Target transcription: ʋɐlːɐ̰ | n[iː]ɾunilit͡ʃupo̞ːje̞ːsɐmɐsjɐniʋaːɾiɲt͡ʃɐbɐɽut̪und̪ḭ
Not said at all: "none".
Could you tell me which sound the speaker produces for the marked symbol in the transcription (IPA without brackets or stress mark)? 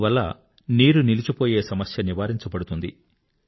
iː